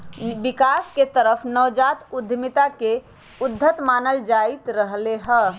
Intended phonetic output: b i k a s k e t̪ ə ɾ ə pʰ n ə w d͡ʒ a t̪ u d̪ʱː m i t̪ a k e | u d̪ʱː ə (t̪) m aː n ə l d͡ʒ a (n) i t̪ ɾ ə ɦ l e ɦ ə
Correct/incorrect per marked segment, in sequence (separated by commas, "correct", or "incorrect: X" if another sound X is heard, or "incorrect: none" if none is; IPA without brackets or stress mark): correct, incorrect: none